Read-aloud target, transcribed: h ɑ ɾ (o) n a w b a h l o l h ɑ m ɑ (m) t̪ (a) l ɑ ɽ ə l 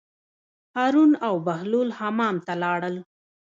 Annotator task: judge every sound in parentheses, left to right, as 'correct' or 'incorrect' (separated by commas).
incorrect, correct, correct